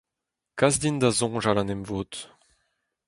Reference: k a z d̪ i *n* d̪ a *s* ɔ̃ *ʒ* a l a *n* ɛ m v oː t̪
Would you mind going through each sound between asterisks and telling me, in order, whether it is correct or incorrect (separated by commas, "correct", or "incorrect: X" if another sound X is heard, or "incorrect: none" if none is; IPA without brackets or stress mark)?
correct, incorrect: z, correct, correct